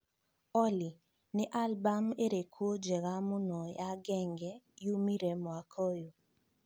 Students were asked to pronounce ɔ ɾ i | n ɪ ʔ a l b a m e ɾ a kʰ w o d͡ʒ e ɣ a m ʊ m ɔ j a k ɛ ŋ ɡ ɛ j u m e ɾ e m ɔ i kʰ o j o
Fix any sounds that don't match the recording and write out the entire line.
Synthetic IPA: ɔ l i | n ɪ ʔ a l b a m e ɾ e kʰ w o d͡ʒ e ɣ a m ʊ n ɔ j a ɡ ɛ ŋ ɡ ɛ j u m i ɾ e m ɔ a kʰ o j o

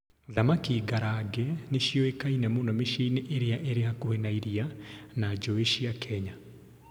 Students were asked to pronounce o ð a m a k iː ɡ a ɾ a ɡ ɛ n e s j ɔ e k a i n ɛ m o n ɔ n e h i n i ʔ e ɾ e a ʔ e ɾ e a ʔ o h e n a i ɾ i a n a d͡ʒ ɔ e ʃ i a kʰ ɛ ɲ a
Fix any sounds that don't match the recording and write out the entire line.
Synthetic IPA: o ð a m a k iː ɡ a ɾ a ɡ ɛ n e ʃ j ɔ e k a i n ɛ m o n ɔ m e ʃ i n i ʔ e ɾ e a ʔ e ɾ e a k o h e n a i ɾ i a n a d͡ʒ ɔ e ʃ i a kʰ ɛ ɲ a

